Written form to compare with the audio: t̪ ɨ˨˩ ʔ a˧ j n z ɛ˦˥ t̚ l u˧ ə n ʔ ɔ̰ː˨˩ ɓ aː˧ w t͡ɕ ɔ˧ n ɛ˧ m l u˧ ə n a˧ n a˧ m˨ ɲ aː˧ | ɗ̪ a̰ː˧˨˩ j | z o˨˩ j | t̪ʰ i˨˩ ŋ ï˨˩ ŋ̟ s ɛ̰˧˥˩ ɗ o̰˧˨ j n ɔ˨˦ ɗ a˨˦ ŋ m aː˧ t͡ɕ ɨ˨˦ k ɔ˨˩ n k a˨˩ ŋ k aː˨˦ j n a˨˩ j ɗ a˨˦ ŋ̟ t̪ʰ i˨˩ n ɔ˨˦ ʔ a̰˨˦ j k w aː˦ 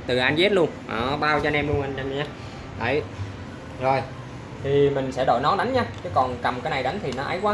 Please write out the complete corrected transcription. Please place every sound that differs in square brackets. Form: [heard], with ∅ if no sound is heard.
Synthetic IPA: t̪ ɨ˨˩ ʔ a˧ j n z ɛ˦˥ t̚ l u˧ ə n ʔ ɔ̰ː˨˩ ɓ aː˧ w t͡ɕ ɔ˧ n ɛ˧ m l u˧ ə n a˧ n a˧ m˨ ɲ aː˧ | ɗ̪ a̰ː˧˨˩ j | z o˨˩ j | t̪ʰ i˨˩ [m] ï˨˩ ŋ̟ s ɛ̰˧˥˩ ɗ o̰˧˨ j n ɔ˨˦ ɗ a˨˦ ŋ [ɲ] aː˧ t͡ɕ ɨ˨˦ k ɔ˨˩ n k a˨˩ [m] k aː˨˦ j n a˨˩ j ɗ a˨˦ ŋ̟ t̪ʰ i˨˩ n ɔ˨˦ ʔ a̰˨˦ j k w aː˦